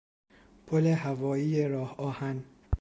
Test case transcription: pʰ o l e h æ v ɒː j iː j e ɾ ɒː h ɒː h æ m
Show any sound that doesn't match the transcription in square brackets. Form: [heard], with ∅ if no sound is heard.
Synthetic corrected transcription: pʰ o l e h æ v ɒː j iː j e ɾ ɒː h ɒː h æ [n]